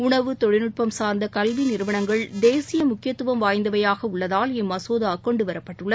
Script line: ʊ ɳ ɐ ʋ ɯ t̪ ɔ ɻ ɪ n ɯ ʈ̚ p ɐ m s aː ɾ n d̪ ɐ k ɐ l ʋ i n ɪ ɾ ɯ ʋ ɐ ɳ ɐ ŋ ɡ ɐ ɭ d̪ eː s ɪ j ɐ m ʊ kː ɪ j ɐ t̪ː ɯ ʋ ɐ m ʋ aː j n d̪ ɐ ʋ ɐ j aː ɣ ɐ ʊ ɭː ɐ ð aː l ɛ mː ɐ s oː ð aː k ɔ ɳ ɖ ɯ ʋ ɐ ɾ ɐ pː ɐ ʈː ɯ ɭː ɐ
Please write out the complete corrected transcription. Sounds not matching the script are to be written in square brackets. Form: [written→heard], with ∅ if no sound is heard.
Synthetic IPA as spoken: ʊ ɳ ɐ ʋ ɯ t̪ ɔ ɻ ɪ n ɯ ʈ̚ p ɐ m s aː ɾ n d̪ ɐ k ɐ l ʋ i n ɪ ɾ ɯ ʋ ɐ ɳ ɐ ŋ ɡ ɐ ɭ d̪ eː s ɪ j ɐ m ʊ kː ɪ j ɐ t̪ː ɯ ʋ ɐ m ʋ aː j n d̪ ɐ ʋ ɐ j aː ɣ ɐ ʊ ɭː ɐ ð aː l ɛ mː ɐ s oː ð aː k ɔ ɳ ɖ ɯ ʋ ɐ ɾ ɐ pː ɐ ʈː ɯ ɭː ɐ